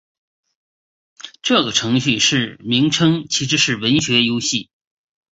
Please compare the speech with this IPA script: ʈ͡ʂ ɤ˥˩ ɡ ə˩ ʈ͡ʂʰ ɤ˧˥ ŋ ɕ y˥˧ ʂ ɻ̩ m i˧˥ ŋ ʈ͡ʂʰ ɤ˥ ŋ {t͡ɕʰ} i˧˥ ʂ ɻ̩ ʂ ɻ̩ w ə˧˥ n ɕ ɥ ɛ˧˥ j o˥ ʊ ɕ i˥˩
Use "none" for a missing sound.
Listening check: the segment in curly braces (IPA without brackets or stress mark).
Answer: t͡ɕʰ